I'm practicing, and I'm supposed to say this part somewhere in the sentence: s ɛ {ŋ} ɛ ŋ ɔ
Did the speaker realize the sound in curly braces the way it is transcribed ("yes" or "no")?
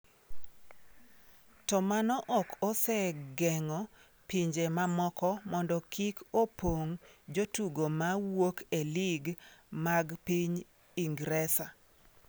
no